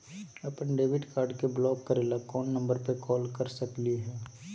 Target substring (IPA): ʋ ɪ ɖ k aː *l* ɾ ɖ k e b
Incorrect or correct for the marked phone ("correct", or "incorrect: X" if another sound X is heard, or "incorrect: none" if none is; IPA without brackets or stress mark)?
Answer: incorrect: none